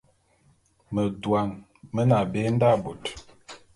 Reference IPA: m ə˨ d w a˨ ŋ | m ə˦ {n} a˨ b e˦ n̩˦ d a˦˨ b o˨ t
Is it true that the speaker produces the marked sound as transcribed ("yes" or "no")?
yes